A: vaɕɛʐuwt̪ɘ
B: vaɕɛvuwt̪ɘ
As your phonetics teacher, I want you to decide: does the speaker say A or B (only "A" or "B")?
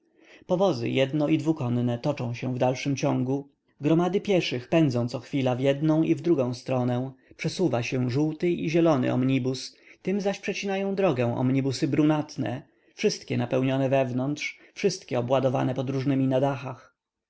A